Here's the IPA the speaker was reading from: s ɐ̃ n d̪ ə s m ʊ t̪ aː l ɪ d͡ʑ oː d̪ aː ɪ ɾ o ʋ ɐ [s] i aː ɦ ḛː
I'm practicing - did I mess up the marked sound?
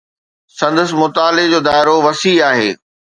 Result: no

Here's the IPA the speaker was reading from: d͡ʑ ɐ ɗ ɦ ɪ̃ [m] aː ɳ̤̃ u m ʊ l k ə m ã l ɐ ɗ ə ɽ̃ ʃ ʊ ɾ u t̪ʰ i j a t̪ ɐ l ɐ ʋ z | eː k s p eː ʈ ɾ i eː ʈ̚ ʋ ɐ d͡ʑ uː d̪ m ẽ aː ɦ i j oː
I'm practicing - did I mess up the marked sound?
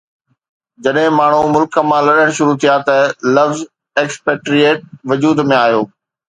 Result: no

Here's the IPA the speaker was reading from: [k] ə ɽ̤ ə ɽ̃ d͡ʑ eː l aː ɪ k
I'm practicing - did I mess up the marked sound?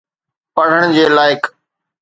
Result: yes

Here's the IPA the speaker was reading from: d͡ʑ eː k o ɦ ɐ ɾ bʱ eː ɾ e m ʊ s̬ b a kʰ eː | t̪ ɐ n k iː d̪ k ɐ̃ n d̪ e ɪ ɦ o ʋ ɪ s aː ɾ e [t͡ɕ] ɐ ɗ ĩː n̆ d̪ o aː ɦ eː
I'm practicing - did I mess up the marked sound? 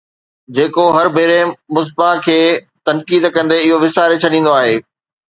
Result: yes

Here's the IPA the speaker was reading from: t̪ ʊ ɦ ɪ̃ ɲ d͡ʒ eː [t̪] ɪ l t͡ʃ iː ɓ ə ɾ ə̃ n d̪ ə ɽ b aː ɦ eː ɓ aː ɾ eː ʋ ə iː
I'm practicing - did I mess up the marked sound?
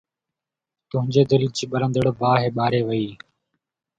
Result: yes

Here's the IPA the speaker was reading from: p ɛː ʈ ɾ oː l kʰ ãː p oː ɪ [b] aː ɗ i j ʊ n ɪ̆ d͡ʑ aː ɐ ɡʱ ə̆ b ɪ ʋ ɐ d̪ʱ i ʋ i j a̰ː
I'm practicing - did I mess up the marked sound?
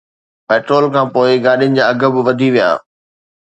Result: yes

